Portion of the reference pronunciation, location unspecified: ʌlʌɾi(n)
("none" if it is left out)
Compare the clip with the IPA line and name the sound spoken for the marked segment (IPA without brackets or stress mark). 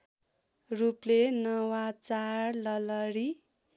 none